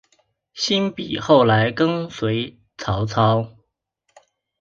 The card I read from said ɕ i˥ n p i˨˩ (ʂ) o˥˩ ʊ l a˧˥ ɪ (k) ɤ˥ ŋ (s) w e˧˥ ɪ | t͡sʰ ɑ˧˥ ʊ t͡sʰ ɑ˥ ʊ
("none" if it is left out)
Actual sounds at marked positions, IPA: x, k, s

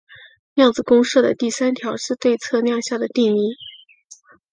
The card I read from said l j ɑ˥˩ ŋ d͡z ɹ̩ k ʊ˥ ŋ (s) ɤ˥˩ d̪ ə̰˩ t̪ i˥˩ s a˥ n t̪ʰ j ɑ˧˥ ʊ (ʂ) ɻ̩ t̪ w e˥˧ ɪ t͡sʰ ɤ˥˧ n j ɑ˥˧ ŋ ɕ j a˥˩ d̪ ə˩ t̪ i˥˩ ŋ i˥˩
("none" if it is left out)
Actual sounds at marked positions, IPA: ʂ, ʂ

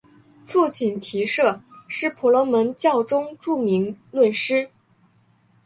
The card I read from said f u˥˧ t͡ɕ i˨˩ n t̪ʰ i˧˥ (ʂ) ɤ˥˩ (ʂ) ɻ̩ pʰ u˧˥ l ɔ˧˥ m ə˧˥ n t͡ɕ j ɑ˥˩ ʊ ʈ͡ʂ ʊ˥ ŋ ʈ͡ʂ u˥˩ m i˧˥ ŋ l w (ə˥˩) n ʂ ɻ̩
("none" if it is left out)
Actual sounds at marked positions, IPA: ʂ, ʂ, ə˥˩

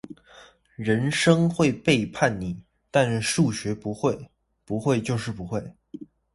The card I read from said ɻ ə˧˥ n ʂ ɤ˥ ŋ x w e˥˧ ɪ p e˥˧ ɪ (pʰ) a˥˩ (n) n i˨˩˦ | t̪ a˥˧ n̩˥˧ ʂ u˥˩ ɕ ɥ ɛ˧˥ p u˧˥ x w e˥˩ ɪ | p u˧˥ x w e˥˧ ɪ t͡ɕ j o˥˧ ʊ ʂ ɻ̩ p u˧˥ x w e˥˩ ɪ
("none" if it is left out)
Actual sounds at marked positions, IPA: pʰ, n

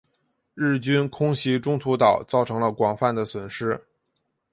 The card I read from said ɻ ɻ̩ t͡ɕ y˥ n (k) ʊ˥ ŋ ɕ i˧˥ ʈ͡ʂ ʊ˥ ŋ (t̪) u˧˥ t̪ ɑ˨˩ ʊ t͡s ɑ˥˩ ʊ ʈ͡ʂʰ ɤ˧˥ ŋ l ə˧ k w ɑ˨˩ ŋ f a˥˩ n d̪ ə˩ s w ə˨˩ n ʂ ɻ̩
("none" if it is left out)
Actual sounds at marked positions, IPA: kʰ, t̪ʰ

